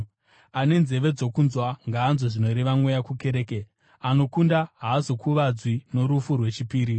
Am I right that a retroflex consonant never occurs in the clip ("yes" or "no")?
no